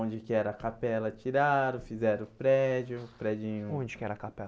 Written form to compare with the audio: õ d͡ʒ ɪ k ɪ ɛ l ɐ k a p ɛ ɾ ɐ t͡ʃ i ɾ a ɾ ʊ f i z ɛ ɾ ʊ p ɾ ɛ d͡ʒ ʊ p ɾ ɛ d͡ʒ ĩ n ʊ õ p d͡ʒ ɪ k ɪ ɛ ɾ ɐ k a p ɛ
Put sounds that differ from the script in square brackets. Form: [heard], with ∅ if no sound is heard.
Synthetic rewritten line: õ d͡ʒ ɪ k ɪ ɛ [ɾ] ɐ k a p ɛ [l] ɐ t͡ʃ i ɾ a ɾ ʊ f i z ɛ ɾ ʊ p ɾ ɛ d͡ʒ ʊ p ɾ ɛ d͡ʒ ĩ [ɲ] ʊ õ [∅] d͡ʒ ɪ k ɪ ɛ ɾ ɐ k a p ɛ